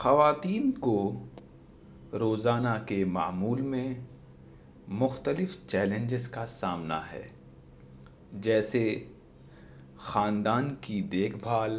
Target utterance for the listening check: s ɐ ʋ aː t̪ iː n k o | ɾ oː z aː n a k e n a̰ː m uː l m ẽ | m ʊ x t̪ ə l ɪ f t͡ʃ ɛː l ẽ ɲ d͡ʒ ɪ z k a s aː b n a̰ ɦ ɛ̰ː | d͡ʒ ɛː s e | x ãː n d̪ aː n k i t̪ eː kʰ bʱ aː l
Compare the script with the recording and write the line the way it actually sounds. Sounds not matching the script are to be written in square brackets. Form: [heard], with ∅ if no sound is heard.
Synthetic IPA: [x] ɐ ʋ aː t̪ iː n k o | ɾ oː z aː n a k e [m] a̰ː m uː l m ẽ | m ʊ x t̪ ə l ɪ f t͡ʃ ɛː l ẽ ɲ d͡ʒ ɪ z k a s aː [m] n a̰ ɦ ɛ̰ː | d͡ʒ ɛː s e | x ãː n d̪ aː n k i [d̪] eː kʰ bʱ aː l